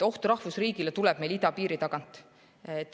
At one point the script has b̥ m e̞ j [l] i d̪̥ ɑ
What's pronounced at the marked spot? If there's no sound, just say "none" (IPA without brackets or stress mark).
l